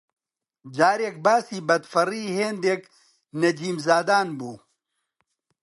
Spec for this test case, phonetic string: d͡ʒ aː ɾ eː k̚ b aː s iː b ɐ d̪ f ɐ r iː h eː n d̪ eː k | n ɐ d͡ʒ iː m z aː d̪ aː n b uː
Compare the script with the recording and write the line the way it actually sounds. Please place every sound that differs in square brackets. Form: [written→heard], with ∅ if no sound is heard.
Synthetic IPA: d͡ʒ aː ɾ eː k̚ b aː s iː b ɐ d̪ f ɐ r iː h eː n d̪ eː k | n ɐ d͡ʒ iː m z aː d̪ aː n b uː